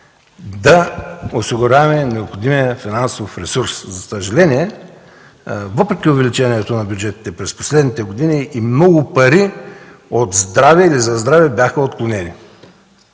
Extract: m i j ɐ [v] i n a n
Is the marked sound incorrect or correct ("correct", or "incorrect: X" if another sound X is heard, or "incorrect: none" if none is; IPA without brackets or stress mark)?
incorrect: f